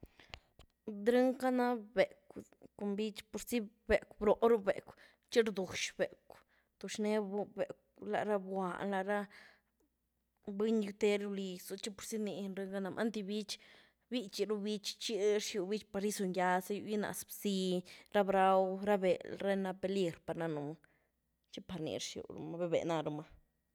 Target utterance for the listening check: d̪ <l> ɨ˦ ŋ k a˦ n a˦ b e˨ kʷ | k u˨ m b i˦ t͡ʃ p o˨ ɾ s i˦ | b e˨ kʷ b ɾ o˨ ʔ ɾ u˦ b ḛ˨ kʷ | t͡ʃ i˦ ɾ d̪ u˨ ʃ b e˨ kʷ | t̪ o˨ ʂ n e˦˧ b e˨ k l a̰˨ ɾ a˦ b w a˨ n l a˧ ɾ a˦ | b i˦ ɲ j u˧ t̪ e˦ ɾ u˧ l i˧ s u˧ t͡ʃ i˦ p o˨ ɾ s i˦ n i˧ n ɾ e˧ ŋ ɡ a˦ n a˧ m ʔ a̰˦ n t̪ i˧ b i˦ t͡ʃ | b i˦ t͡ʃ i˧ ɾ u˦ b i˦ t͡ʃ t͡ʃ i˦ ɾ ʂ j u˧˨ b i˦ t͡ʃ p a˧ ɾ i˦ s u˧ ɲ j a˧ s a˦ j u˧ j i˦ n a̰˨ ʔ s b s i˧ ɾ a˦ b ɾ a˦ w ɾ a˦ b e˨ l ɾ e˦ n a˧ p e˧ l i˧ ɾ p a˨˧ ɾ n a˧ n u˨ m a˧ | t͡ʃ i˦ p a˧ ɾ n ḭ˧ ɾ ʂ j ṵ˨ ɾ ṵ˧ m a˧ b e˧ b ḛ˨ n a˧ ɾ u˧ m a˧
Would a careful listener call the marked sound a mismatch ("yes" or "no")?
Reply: yes